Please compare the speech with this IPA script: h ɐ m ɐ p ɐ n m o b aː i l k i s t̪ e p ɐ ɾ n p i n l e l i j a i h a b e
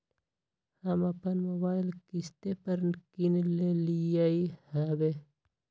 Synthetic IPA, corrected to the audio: h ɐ m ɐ p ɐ n m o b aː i l k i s t̪ e p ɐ ɾ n k i n l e l i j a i h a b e